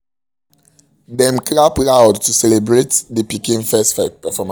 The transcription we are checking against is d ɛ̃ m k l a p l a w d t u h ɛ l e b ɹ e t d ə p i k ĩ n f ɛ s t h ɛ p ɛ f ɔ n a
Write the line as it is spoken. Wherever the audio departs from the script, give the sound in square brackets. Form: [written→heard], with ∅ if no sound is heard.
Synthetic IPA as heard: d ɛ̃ m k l a p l a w d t u [h→s] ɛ l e b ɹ e t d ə p i k ĩ n f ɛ s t [h→f] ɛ p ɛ f ɔ [n→m] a